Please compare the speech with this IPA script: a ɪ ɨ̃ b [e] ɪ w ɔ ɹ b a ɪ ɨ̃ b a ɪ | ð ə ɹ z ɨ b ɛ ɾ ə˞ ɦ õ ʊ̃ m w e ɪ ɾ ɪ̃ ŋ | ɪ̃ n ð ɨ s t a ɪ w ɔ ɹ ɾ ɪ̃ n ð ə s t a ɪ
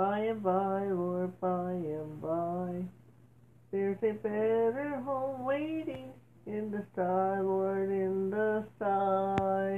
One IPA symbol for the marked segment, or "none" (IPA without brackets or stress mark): a